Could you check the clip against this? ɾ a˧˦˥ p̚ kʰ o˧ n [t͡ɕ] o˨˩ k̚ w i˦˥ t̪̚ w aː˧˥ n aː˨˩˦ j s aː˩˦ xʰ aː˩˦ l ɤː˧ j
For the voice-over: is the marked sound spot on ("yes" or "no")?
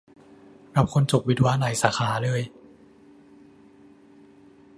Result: yes